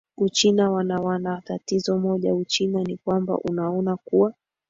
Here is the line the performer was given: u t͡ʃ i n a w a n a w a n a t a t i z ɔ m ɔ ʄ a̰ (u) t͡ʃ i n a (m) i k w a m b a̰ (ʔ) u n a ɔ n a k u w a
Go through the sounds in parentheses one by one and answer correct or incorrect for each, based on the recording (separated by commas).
correct, incorrect, correct